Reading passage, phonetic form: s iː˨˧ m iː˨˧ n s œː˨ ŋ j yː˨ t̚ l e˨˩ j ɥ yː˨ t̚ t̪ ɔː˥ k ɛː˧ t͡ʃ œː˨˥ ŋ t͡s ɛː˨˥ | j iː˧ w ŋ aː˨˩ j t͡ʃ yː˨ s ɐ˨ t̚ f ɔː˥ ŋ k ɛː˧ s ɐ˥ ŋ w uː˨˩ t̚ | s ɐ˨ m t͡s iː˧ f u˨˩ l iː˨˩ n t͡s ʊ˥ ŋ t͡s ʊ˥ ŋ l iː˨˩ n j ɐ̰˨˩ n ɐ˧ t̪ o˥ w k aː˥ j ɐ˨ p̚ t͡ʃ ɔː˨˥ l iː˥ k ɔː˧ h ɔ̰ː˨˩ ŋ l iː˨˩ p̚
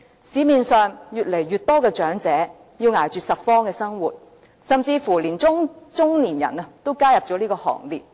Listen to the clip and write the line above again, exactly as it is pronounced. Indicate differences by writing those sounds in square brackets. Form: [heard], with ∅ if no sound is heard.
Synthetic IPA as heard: s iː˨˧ m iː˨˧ n s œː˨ ŋ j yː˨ t̚ l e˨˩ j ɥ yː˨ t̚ t̪ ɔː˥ k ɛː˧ t͡ʃ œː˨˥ ŋ t͡s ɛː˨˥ | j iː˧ w ŋ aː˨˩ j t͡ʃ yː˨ s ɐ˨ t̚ f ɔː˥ ŋ k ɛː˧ s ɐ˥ ŋ w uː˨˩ t̚ | s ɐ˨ m t͡s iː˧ f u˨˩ l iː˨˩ n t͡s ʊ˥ ŋ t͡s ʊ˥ ŋ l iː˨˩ n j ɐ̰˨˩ n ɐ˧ t̪ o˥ w k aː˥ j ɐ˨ p̚ t͡ʃ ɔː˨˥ l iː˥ k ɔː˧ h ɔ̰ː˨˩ ŋ l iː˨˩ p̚

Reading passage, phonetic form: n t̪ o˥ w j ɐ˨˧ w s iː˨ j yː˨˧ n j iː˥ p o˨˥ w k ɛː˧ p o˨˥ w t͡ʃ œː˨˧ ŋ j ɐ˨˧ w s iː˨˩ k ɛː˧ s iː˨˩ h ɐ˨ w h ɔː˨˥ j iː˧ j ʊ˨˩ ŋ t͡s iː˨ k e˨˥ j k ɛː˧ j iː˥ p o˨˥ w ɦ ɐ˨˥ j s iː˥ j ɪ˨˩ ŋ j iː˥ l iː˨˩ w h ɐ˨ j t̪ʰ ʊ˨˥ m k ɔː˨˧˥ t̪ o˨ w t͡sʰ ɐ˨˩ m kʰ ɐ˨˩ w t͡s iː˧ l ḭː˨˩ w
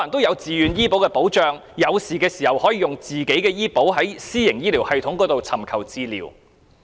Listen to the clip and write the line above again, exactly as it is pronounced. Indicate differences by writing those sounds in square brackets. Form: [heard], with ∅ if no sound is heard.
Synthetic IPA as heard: n t̪ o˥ w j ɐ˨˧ w [t͡s] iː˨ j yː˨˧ n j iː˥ p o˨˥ w k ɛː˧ p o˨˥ w t͡ʃ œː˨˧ ŋ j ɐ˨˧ w s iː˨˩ k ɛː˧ s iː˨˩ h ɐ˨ w h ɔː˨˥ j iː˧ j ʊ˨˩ ŋ t͡s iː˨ k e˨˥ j k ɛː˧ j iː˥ p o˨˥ w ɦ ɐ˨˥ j s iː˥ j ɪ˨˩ ŋ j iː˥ l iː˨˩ w h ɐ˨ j t̪ʰ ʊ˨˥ [ŋ] k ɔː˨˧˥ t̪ o˨ w t͡sʰ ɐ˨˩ m kʰ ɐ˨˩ w t͡s iː˧ l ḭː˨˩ w

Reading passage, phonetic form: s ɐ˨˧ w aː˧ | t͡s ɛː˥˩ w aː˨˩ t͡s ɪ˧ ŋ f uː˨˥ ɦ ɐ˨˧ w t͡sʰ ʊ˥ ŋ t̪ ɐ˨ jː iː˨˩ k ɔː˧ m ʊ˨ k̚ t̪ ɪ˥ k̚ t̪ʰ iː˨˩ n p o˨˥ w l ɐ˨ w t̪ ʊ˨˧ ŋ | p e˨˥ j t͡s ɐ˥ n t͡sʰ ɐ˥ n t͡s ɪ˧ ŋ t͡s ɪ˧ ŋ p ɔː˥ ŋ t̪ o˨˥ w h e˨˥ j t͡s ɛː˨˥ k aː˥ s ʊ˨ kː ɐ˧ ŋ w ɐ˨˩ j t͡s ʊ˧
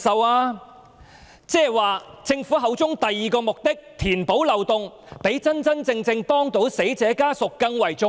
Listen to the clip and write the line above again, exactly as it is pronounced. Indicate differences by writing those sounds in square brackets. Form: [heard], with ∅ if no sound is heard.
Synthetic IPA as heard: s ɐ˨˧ w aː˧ | t͡s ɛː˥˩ w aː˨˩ t͡s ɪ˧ ŋ f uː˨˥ ɦ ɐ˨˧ w [t͡s] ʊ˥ ŋ t̪ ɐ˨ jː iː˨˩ k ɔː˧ m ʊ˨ k̚ t̪ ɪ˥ k̚ t̪ʰ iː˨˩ n p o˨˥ w l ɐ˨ w t̪ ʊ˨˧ ŋ | p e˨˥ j t͡s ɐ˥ n [t͡s] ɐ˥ n t͡s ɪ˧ ŋ t͡s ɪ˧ ŋ p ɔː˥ ŋ t̪ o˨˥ w [s] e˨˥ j t͡s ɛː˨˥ k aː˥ s ʊ˨ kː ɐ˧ ŋ w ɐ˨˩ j t͡s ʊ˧

